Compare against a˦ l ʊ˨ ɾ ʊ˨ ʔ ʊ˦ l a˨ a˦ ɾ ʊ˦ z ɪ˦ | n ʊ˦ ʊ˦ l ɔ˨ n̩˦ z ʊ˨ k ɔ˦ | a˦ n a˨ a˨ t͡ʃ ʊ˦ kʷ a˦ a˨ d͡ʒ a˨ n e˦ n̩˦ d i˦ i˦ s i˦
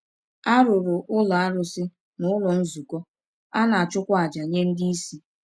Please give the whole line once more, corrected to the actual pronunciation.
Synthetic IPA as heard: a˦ ɾ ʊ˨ ɾ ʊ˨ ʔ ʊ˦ l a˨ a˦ ɾ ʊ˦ s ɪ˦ | n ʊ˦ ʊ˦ l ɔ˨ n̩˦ z u˨ k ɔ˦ | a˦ n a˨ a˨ t͡ʃ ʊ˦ kʷ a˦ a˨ d͡ʒ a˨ ɲ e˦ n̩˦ d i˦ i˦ s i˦